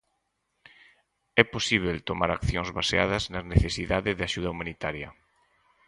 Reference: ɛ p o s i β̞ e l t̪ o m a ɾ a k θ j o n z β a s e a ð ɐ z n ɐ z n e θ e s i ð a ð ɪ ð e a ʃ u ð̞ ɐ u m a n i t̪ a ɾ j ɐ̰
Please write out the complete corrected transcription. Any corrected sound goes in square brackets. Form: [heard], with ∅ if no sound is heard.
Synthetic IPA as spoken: ɛ p o s i β̞ e l t̪ o m a ɾ a k θ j o [ŋ] z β a s e a ð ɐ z n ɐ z n e θ e s i ð a ð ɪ ð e a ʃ u ð̞ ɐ u m a n i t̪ a ɾ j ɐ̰